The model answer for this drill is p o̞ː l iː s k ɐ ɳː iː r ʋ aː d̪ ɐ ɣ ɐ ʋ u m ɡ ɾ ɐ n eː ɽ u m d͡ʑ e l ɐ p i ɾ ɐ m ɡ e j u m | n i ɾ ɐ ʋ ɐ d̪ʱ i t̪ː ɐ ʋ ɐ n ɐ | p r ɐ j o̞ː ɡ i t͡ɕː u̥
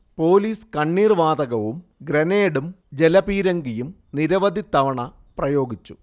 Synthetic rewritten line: p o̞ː l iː s k ɐ ɳː iː r ʋ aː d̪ ɐ ɣ ɐ ʋ u m ɡ ɾ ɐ n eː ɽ u m d͡ʑ e l ɐ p iː ɾ ɐ ŋ ɡ i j u m | n i ɾ ɐ ʋ ɐ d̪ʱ i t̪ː ɐ ʋ ɐ ɳ ɐ | p r ɐ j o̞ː ɡ i t͡ɕː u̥